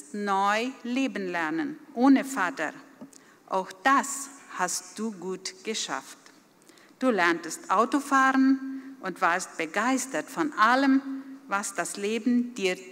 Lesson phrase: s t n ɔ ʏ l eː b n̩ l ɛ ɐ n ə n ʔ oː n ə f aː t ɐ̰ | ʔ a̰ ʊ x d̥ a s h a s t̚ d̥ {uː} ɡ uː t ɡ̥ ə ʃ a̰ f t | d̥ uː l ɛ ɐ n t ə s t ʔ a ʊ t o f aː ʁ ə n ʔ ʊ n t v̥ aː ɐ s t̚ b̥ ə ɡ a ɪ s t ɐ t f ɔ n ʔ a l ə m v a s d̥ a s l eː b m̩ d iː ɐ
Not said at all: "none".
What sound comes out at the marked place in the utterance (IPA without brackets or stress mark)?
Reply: uː